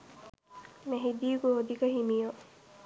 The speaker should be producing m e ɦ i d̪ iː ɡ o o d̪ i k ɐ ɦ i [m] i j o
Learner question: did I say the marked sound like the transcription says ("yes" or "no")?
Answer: yes